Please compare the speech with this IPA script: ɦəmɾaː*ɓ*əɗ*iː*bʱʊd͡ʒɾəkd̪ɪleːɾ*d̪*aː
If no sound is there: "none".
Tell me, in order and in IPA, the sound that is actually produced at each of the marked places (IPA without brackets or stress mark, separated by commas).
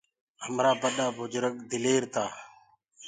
b, aː, t̪